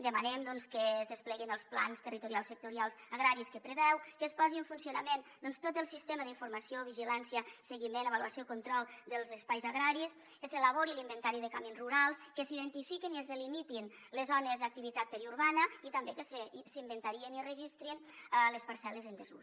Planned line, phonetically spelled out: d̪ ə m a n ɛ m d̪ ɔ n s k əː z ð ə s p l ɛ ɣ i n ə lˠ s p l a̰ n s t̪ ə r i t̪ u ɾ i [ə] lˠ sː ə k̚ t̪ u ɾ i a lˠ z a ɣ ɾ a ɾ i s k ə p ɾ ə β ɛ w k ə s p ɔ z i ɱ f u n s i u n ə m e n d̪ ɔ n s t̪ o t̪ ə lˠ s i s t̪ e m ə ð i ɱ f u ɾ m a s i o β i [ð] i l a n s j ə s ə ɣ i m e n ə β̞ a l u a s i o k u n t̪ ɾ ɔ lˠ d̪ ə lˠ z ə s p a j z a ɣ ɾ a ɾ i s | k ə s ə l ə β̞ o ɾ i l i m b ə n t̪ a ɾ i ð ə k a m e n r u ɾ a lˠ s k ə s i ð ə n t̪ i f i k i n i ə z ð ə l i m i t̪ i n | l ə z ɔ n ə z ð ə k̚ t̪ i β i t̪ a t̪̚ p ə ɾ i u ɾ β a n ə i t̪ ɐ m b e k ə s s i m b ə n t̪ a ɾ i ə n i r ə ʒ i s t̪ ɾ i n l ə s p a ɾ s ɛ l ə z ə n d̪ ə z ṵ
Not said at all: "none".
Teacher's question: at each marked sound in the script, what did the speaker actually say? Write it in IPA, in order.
a, ʒ

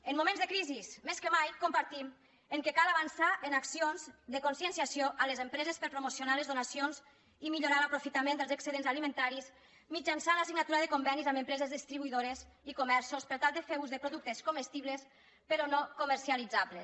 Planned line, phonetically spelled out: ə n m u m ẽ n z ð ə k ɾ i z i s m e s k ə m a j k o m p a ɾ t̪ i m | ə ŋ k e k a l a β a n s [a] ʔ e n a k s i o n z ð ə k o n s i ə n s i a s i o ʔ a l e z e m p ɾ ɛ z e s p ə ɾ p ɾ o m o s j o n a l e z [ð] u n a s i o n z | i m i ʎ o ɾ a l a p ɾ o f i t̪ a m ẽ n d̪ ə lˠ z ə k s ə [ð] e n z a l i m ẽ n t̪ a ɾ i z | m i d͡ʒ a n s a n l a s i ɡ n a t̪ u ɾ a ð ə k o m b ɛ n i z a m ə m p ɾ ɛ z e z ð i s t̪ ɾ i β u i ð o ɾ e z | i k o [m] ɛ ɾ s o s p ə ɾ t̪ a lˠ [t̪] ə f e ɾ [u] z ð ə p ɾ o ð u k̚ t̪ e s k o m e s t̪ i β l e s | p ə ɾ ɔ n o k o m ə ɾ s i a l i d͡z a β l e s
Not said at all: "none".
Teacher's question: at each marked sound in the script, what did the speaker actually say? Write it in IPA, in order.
a, ð, ð, m, d̪, u

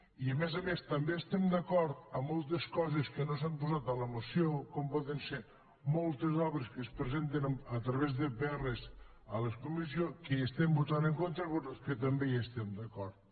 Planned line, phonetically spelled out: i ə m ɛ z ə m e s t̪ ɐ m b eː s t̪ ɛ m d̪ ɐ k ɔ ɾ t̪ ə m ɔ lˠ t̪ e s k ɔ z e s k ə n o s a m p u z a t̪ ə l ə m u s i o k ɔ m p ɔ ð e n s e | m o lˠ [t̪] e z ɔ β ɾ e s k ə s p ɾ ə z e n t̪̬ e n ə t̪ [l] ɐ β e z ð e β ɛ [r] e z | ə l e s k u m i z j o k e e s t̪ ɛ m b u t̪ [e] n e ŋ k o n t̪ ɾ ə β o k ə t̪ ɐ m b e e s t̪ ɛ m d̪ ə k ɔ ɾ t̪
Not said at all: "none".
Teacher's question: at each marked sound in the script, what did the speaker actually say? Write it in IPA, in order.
t̪, ɾ, r, a

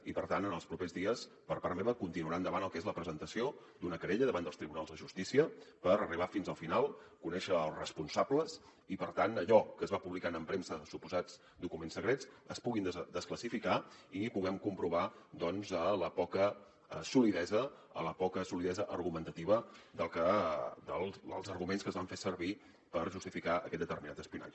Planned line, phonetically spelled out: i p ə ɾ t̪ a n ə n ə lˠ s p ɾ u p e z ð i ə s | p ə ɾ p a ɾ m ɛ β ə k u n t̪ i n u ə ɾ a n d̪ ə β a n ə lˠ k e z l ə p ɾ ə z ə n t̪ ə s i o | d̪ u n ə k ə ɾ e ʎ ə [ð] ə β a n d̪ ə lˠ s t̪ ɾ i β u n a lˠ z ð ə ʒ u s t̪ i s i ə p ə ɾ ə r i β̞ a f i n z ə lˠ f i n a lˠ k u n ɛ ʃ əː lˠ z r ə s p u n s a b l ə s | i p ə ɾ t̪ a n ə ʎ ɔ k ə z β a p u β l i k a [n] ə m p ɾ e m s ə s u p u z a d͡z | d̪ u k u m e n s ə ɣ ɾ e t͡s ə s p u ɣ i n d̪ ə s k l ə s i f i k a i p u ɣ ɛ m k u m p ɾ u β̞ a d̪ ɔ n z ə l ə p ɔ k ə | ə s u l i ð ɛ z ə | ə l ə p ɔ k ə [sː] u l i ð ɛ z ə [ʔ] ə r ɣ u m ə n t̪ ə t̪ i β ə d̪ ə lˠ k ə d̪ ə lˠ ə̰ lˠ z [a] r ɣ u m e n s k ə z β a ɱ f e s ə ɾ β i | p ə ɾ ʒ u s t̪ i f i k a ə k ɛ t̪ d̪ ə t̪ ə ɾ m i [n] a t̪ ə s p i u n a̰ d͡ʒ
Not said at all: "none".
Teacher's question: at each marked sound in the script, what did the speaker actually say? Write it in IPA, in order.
ð, n, s, ʔ, ə, n

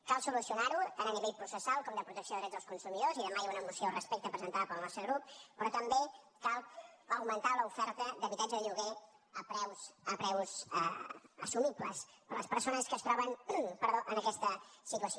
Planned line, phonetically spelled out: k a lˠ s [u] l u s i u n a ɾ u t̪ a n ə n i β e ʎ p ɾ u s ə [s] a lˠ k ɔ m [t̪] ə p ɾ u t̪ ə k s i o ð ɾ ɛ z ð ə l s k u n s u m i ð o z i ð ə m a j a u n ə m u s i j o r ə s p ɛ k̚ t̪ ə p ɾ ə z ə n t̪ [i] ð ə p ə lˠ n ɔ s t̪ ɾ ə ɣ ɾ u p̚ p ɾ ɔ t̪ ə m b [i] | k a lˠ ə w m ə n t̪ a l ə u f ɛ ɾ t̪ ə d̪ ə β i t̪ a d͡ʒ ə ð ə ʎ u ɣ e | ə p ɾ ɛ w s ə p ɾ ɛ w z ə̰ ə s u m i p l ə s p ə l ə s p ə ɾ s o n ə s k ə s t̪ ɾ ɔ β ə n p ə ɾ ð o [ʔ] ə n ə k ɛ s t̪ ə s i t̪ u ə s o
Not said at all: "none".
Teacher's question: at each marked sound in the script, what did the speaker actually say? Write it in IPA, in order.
u, s, d̪, a, e, ʔ

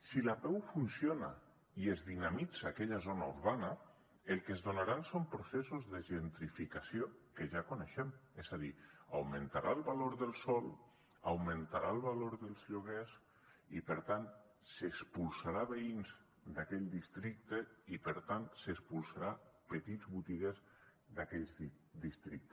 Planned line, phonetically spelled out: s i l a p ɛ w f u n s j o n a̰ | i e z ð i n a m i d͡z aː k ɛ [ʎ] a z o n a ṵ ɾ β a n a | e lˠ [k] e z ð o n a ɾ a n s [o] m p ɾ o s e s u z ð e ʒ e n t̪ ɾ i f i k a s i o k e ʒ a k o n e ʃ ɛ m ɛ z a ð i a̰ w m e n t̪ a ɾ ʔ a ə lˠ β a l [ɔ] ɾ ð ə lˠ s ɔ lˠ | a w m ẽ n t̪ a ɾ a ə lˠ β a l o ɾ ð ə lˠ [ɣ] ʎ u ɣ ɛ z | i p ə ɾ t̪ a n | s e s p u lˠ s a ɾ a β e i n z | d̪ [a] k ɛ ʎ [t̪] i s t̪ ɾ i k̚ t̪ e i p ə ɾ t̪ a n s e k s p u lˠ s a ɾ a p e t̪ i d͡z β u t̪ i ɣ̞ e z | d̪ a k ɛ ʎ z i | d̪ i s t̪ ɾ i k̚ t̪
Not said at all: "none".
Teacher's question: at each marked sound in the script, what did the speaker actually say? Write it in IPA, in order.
ʎ, k, o, o, z, a, d̪

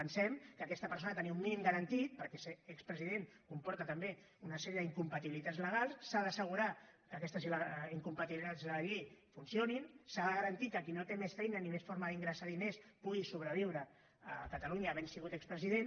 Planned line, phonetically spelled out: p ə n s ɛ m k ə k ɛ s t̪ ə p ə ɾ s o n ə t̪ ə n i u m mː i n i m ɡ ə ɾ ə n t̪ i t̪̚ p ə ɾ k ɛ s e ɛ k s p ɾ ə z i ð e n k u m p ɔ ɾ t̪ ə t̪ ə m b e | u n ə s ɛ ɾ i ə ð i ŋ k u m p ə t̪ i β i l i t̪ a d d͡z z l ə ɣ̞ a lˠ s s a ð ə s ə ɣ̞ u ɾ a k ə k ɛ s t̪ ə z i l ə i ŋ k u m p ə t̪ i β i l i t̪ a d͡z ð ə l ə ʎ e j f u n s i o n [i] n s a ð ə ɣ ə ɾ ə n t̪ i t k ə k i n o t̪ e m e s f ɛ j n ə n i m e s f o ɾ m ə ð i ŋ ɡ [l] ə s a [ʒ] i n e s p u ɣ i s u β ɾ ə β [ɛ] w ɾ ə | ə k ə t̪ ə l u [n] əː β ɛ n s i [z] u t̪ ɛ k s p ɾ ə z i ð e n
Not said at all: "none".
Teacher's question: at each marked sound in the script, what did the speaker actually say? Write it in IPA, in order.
i, ɾ, ð, i, ɲ, ɣ

